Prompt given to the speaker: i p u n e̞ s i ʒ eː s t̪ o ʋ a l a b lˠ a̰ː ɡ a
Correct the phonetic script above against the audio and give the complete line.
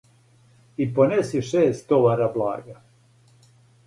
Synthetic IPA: i p o n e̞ s i ʃ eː s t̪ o ʋ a ɾ a b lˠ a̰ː ɡ a